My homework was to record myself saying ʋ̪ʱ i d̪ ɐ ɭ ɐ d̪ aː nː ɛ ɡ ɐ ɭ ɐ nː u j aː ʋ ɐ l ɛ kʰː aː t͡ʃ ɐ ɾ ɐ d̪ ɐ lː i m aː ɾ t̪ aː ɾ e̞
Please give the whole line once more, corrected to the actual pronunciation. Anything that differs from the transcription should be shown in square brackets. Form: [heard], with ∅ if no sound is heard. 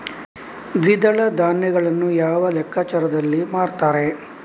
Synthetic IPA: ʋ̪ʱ i d̪ ɐ ɭ ɐ d̪ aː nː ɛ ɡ ɐ ɭ ɐ nː u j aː ʋ ɐ l ɛ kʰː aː t͡ʃ ɐ ɾ ɐ d̪ ɐ lː i m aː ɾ t̪ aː ɾ e̞